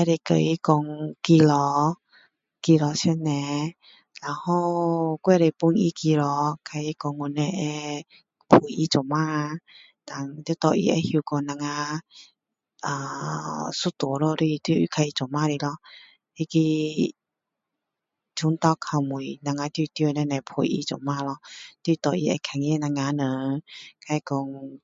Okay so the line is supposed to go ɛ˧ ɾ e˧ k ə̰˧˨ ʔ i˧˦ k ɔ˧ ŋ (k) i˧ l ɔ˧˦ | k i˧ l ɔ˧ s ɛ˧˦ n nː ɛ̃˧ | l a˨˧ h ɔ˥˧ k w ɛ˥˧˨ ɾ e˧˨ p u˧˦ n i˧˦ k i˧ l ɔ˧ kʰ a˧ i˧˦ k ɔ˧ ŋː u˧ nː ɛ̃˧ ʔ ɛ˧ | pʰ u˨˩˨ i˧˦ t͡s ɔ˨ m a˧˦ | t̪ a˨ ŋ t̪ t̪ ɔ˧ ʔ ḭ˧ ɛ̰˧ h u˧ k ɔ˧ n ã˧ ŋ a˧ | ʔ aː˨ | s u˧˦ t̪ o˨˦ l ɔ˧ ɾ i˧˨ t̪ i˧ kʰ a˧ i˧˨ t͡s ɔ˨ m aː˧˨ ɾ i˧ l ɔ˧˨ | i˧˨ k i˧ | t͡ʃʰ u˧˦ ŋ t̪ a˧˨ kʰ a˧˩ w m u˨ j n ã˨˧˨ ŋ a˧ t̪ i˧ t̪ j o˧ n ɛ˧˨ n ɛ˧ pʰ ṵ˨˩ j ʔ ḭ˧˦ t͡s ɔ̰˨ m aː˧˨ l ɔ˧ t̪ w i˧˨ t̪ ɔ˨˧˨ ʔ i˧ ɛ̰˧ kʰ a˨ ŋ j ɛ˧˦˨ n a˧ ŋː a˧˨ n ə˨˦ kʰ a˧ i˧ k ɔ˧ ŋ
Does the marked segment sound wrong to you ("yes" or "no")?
no